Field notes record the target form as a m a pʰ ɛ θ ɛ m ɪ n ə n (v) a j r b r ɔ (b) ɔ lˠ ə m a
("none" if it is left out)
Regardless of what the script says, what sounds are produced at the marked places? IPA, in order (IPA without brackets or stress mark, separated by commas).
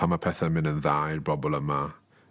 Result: ð, b